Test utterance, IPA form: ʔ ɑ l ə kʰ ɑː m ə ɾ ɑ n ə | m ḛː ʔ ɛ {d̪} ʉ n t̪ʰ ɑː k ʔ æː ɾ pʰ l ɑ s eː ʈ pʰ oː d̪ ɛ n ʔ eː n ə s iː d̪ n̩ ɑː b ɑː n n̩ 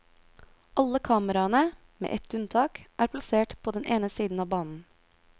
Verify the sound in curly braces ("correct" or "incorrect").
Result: incorrect